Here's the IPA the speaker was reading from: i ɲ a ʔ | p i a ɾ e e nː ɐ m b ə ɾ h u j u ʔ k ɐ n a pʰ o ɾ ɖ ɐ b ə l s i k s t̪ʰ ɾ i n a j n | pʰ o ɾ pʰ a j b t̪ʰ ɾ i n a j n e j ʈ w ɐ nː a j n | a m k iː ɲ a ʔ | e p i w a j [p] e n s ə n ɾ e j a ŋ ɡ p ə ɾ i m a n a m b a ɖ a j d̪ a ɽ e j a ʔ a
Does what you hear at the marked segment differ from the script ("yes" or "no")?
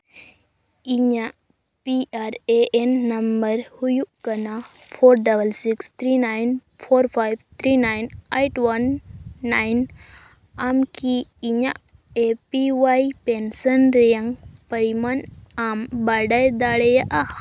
no